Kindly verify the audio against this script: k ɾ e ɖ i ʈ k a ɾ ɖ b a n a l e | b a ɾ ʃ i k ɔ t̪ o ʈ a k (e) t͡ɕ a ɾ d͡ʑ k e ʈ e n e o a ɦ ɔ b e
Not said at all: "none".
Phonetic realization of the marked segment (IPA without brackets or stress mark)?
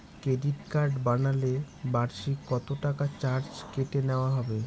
a